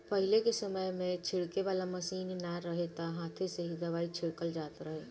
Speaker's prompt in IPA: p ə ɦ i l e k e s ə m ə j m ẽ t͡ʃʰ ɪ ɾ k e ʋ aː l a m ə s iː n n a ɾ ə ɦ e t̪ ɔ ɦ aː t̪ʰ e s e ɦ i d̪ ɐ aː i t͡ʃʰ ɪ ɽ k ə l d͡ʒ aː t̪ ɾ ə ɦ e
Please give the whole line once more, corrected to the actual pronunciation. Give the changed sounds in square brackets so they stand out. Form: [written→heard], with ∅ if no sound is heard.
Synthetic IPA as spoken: p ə ɦ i l e k e s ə m ə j m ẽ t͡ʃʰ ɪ [ɾ→ɽ] k e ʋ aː l a m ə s iː n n a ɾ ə ɦ e t̪ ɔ ɦ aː t̪ʰ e s e ɦ i d̪ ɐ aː i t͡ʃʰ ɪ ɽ k ə l d͡ʒ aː t̪ ɾ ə ɦ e